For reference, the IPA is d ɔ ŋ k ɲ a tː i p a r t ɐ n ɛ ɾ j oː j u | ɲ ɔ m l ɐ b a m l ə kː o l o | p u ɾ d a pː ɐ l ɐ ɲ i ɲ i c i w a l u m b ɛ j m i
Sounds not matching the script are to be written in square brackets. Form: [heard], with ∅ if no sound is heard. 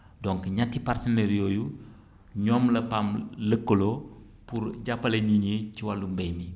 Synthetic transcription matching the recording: d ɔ ŋ k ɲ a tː i p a r t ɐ n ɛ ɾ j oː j u | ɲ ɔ m l ɐ [p] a m l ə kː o l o | p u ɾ [ɟ] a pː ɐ l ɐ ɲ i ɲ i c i w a l u m b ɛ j m i